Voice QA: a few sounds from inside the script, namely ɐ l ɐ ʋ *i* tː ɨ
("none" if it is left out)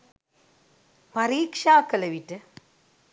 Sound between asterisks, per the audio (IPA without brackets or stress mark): i